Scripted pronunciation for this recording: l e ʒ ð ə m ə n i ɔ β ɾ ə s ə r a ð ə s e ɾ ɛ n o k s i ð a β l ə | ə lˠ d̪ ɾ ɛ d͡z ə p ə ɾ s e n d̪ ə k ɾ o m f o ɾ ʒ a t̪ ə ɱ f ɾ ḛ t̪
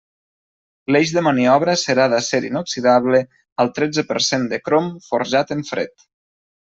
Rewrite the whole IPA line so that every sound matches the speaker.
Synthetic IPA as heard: l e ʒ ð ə m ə n i ɔ β ɾ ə s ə ɾ a ð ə s e ɾ i n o k s i ð a β l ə | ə lˠ t̪ ɾ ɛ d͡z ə p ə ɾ s e n d̪ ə k ɾ o m f o ɾ ʒ a t̪ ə ɱ f ɾ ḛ t̪